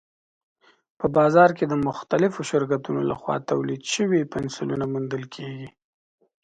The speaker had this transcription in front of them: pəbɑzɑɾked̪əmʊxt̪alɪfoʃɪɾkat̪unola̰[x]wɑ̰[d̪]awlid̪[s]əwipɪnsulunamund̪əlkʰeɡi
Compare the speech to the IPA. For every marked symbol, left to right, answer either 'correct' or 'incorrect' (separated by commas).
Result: correct, incorrect, incorrect